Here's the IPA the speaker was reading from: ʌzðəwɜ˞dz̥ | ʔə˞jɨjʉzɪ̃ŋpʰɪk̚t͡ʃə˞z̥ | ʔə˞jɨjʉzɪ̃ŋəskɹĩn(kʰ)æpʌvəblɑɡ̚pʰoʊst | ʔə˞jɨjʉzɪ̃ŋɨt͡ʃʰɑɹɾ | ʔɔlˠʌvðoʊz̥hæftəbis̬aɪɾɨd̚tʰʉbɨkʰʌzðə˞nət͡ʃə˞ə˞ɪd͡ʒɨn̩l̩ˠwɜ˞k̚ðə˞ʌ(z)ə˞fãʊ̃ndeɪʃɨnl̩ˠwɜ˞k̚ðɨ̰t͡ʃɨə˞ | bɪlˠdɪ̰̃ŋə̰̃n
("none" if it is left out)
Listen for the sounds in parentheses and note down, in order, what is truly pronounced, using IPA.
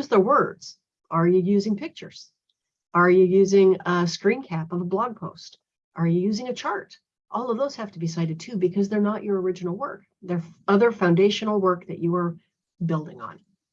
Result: kʰ, ð

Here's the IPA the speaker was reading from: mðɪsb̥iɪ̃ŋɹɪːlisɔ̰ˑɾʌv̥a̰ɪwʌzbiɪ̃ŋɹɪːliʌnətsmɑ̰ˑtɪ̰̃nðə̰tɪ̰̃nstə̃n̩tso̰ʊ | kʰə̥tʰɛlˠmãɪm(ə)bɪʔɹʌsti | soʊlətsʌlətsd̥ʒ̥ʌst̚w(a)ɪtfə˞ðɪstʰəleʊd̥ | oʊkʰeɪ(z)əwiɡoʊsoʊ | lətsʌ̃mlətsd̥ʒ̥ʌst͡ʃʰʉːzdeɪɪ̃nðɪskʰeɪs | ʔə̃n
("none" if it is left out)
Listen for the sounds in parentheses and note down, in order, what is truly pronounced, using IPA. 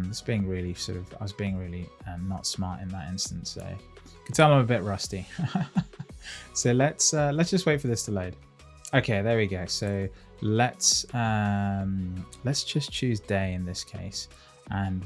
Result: ə, e, ð

